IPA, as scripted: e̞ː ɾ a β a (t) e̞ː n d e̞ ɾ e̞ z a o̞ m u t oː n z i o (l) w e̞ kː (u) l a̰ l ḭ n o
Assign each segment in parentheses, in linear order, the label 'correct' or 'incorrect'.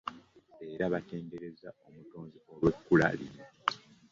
correct, correct, correct

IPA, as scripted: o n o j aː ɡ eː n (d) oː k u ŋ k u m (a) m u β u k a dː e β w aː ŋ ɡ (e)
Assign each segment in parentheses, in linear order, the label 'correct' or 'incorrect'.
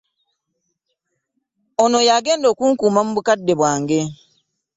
correct, correct, correct

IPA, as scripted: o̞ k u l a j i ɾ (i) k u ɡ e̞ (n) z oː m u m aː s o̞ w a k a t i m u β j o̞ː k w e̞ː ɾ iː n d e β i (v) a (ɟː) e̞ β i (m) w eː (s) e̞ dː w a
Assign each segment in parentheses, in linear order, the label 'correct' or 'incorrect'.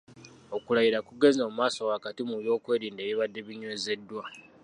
incorrect: a, incorrect: none, incorrect: β, incorrect: dː, incorrect: ɲ, incorrect: z

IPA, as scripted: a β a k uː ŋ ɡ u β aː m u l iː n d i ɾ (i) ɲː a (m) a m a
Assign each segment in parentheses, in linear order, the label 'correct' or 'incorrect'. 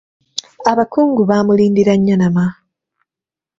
incorrect: a, incorrect: n

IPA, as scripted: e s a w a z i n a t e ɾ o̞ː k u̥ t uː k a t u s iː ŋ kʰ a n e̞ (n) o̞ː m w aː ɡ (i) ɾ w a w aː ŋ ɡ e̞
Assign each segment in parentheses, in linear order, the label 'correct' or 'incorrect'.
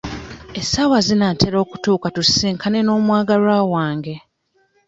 correct, incorrect: a

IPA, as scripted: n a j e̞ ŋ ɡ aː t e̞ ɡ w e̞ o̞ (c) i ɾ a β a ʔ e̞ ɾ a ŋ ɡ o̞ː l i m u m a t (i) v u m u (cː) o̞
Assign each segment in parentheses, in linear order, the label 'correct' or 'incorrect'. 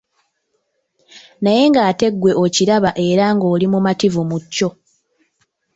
correct, correct, correct

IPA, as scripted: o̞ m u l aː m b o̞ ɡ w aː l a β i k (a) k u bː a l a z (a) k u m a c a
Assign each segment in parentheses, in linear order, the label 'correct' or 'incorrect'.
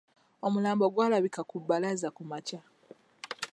correct, correct

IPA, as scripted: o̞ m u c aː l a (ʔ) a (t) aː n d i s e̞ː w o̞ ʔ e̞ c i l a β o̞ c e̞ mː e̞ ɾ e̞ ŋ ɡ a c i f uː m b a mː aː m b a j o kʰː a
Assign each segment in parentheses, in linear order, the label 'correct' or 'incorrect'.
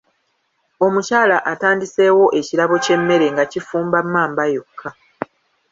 correct, correct

